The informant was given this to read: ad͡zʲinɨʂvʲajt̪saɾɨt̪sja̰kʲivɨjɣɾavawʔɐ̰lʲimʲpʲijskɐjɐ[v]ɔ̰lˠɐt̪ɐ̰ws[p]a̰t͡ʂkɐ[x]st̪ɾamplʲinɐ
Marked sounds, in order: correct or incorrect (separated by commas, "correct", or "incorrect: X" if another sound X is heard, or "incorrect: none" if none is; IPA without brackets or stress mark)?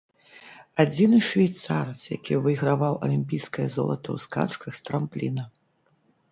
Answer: incorrect: z, incorrect: k, correct